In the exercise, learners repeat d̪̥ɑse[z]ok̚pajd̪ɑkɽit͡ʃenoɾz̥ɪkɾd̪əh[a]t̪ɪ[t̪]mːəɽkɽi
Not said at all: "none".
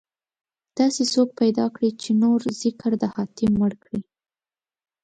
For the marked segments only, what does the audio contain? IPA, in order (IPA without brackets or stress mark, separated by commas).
s, ɑ, none